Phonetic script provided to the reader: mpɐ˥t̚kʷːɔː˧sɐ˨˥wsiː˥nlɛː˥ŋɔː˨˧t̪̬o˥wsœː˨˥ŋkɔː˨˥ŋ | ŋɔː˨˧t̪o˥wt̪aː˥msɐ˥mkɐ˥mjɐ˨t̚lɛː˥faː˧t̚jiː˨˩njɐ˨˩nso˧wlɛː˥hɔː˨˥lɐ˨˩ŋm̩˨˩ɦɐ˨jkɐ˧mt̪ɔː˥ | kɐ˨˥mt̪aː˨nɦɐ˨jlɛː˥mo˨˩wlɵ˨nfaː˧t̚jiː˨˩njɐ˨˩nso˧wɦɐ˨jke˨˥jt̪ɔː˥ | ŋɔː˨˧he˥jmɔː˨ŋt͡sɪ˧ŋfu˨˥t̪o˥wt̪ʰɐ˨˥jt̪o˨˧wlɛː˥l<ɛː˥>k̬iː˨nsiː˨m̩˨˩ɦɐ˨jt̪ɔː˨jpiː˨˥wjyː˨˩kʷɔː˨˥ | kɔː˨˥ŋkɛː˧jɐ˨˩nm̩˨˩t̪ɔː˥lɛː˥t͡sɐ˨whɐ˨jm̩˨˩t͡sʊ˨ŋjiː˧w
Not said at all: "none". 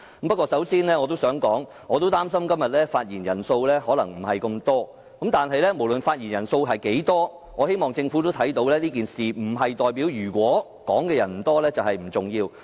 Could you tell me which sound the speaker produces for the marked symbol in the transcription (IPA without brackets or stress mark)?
iː˥